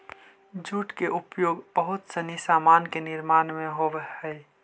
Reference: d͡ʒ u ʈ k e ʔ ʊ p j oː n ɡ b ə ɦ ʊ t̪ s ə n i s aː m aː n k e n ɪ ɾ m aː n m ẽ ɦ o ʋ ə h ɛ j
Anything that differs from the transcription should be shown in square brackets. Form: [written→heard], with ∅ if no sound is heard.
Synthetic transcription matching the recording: d͡ʒ u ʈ k e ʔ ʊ p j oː [n→∅] ɡ b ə ɦ ʊ t̪ s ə n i s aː m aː n k e n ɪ ɾ m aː n m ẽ ɦ o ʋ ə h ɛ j